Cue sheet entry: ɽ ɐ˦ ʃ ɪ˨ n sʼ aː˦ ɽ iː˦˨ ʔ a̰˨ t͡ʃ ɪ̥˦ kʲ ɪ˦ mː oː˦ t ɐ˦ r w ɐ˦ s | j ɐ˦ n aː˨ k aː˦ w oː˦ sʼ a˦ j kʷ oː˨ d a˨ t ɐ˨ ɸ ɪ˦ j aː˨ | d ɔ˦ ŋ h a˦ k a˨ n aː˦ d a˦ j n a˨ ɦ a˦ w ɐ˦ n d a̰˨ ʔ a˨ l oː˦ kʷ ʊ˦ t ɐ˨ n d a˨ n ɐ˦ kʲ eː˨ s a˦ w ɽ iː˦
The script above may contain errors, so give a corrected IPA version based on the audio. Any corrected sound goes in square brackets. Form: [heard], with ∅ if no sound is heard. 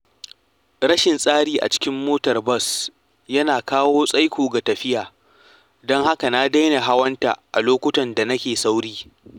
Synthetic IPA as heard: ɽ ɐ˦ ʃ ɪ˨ n sʼ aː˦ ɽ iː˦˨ ʔ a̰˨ t͡ʃ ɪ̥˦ kʲ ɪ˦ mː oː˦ t [ɐ˨] r [b] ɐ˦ s | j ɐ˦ n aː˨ k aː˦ w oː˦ sʼ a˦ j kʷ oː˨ [ɡ] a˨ t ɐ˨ ɸ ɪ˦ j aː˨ | d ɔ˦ ŋ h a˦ k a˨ n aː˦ d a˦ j n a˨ ɦ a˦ w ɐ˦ n [t] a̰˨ ʔ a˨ l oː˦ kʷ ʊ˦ t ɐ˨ n d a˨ n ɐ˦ kʲ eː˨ s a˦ w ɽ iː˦